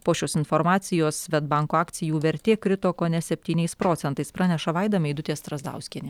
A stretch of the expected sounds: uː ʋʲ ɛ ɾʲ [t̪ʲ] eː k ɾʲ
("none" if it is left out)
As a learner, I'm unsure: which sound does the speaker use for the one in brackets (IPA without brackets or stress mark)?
t̪ʲ